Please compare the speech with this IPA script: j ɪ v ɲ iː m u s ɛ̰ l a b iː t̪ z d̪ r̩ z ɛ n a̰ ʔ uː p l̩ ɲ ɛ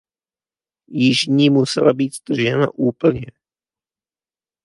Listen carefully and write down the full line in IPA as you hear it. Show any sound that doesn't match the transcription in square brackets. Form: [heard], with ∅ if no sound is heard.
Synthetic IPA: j ɪ [ʒ] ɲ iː m u s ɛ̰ l a b iː t̪ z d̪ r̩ [ʒ] ɛ n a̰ ʔ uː p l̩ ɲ ɛ